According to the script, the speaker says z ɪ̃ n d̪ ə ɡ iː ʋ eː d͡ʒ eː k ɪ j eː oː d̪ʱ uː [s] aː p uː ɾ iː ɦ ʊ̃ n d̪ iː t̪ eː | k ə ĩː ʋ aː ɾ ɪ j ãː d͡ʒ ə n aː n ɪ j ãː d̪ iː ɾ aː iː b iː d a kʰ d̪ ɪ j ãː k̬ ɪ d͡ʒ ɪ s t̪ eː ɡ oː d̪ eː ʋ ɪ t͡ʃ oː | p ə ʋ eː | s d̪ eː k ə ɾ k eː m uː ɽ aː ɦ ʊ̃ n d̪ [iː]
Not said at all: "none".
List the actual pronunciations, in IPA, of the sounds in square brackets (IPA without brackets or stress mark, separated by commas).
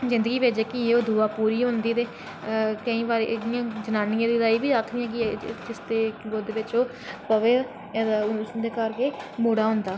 none, aː